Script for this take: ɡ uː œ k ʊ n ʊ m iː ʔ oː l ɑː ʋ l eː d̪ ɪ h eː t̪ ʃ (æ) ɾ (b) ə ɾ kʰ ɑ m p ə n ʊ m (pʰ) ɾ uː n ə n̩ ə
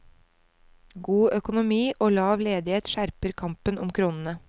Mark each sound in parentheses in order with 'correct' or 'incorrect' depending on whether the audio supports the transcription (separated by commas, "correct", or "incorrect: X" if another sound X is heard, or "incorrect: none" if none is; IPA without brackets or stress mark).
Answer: correct, incorrect: p, incorrect: kʰ